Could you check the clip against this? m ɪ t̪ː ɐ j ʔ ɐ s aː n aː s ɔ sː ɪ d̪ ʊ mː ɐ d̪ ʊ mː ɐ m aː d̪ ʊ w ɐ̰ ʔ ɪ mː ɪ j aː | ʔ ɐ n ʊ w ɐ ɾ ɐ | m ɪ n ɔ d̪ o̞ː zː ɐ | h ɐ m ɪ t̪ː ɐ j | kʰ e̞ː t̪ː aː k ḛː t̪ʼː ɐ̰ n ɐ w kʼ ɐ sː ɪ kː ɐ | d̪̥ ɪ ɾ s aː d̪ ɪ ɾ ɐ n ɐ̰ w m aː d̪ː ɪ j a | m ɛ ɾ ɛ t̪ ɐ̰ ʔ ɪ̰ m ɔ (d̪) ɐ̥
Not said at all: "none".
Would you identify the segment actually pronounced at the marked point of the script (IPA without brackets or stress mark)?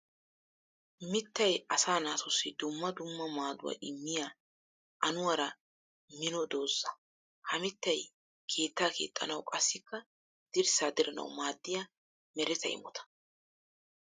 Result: t̪